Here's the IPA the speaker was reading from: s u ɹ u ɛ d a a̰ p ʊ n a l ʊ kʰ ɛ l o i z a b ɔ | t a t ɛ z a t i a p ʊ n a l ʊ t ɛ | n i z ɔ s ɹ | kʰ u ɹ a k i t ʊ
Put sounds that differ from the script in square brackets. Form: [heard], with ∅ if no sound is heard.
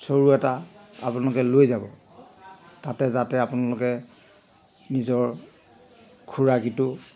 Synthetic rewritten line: s [o] ɹ u ɛ [t] a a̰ p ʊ n a l ʊ [k] ɛ l o [j] z a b ɔ | t a t ɛ z a t [ɛ] a p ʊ n a l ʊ [k] ɛ | n i z ɔ [∅] ɹ | kʰ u ɹ a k i t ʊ